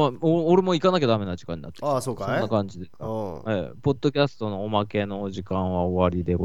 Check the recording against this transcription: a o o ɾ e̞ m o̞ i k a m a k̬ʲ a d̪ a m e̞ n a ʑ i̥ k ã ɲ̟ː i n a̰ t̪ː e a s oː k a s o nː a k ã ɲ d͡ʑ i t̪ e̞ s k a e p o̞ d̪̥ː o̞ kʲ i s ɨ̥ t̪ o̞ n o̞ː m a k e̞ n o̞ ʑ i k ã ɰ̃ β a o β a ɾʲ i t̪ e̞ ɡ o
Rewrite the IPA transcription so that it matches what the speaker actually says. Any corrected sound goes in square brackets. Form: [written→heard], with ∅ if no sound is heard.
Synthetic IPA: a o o ɾ e̞ m o̞ i k a [m→n] a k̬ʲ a d̪ a m e̞ n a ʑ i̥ k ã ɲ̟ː i n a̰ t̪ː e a s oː k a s o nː a k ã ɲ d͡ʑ i [t̪→d̪] e̞ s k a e p o̞ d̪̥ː o̞ kʲ [i→a] s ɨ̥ t̪ o̞ n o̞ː m a k e̞ n o̞ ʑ i k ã ɰ̃ β a o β a ɾʲ i [t̪→d̪] e̞ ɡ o